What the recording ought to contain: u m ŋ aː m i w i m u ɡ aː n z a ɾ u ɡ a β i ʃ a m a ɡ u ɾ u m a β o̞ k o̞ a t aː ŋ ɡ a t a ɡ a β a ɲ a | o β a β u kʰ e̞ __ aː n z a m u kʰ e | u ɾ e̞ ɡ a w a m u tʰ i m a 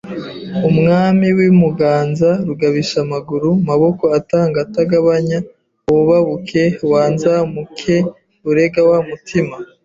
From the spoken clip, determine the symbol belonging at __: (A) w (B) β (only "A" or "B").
A